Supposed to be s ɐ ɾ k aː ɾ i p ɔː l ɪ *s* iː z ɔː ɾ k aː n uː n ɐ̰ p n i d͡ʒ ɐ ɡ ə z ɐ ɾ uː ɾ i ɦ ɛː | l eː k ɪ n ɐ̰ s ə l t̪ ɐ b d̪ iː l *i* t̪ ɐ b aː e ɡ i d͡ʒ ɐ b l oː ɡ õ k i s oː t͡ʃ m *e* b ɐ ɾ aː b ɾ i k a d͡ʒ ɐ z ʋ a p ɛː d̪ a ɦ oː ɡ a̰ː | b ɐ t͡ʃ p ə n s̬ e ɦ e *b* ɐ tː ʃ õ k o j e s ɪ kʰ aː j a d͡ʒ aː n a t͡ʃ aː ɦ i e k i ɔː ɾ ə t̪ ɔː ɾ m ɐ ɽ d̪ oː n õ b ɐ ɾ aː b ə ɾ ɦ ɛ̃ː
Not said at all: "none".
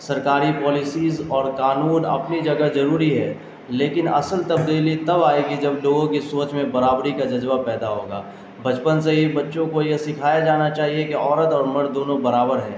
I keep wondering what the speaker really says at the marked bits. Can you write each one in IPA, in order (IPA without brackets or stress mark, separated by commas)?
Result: s, i, ẽ, b